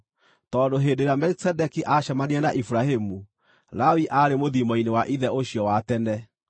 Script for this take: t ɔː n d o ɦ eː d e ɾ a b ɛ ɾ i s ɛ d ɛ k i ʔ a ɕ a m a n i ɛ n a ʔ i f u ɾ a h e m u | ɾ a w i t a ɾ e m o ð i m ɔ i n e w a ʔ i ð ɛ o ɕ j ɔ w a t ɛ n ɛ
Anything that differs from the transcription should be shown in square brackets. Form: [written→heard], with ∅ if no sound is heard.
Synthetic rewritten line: t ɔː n d o ɦ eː d e ɾ a [b→m] ɛ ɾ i s ɛ d ɛ k i ʔ a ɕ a m a n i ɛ n a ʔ i f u ɾ a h e m u | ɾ a w i [t→ʔ] a ɾ e m o ð i m ɔ i n e w a ʔ i ð ɛ o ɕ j ɔ w a t ɛ n ɛ